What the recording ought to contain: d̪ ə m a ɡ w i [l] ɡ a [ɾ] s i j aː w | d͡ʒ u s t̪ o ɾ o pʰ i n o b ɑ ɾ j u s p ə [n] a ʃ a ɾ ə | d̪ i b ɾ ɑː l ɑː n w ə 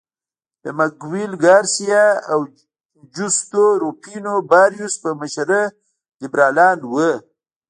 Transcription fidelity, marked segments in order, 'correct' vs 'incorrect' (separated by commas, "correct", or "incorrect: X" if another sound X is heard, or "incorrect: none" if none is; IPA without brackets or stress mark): correct, correct, incorrect: m